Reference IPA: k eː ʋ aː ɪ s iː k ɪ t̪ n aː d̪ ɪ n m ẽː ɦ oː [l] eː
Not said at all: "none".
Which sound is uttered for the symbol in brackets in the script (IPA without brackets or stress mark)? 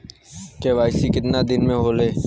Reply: l